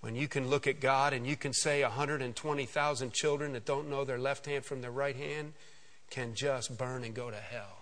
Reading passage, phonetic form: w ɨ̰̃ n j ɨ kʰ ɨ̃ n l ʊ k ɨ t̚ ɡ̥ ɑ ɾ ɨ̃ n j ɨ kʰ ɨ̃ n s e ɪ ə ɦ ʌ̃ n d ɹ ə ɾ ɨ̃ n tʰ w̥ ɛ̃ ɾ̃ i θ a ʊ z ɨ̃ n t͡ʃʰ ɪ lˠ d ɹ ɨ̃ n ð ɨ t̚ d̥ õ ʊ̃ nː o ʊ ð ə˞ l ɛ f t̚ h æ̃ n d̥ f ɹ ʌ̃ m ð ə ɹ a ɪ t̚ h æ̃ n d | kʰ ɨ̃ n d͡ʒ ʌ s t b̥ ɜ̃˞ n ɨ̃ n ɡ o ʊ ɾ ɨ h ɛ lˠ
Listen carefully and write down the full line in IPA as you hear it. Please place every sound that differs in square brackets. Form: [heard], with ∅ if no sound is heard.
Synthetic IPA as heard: w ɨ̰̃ n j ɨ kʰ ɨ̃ n l ʊ k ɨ t̚ ɡ̥ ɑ ɾ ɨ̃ n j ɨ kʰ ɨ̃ n s e ɪ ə ɦ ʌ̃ n d ɹ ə ɾ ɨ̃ n tʰ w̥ ɛ̃ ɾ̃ i θ a ʊ z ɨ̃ n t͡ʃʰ ɪ lˠ d ɹ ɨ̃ n ð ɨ t̚ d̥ õ ʊ̃ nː o ʊ ð ə˞ l ɛ f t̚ h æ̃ n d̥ f ɹ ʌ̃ m ð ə ɹ a ɪ t̚ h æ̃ n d | kʰ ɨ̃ n d͡ʒ ʌ s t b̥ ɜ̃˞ n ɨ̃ n ɡ o ʊ ɾ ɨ h ɛ lˠ